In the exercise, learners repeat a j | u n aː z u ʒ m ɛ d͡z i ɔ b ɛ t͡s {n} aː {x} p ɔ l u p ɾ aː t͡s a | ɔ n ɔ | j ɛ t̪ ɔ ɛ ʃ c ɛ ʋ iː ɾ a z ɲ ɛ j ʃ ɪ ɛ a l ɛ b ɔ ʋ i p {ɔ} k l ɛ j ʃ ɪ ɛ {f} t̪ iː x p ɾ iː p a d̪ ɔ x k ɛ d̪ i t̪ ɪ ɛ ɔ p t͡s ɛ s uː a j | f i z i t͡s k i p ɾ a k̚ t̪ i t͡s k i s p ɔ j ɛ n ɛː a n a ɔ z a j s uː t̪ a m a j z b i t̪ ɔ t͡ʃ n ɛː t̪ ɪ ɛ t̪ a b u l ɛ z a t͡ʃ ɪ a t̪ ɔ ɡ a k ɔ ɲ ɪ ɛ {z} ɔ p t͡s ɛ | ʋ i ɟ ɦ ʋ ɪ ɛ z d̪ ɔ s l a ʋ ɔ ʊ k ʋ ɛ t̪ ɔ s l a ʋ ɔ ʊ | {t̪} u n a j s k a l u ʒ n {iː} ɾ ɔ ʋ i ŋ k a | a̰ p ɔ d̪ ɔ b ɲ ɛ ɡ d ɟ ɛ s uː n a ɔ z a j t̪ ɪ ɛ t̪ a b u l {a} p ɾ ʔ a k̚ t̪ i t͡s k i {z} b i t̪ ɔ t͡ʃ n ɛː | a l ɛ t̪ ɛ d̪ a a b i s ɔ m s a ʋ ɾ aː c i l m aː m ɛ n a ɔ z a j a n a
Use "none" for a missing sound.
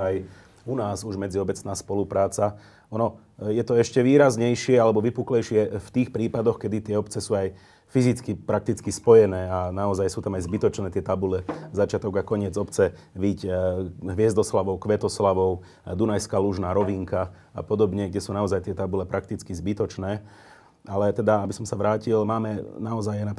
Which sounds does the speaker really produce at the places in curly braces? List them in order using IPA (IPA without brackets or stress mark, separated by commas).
n, s, u, f, d͡z, d̪, aː, ɛ, z